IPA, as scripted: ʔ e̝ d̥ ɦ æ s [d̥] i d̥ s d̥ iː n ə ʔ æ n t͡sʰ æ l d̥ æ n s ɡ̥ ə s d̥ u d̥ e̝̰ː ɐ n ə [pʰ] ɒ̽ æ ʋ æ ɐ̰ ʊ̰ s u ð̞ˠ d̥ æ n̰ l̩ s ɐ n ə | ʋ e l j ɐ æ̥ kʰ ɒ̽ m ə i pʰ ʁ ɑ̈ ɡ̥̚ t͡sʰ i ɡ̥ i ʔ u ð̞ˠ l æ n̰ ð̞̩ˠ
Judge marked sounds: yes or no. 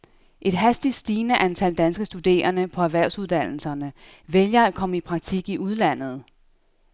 yes, yes

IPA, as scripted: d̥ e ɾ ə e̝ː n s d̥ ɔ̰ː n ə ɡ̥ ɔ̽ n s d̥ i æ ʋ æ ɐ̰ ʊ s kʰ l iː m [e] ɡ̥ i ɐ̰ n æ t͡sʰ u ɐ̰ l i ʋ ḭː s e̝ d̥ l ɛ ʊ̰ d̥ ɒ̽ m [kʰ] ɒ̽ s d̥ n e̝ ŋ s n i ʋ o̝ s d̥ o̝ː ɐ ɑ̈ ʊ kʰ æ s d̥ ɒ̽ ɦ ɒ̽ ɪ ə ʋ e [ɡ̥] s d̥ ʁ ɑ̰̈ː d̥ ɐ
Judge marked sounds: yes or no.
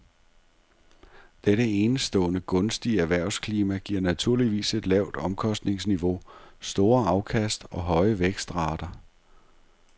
no, yes, yes

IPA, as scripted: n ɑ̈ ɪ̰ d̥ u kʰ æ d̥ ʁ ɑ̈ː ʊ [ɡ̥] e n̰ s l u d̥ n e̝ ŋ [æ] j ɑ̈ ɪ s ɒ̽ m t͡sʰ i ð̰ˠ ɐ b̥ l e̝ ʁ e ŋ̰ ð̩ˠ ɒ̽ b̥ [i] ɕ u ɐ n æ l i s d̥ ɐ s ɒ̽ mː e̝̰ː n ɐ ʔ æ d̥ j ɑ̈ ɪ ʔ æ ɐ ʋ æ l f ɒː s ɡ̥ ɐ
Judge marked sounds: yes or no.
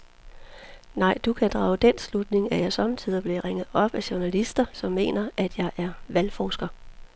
no, yes, no

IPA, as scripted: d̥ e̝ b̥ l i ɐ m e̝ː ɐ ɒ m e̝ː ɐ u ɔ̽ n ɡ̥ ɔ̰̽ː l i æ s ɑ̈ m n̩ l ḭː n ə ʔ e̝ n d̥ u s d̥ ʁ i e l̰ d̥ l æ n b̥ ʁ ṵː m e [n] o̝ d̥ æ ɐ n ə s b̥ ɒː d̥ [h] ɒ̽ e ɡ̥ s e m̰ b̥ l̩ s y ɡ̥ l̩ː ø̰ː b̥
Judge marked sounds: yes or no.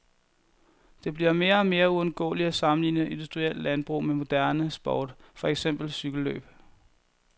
no, no

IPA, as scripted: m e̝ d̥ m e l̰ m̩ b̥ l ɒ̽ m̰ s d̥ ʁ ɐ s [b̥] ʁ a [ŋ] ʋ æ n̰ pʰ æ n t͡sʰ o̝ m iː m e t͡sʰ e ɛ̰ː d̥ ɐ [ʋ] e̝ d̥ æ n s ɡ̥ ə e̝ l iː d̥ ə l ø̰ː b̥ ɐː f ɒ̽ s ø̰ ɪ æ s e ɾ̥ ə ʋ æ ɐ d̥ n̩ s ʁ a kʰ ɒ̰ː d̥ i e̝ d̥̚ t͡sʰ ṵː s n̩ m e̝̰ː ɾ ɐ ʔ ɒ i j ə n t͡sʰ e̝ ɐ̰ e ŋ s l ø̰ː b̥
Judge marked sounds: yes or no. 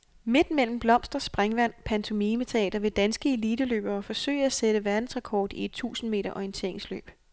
yes, yes, yes

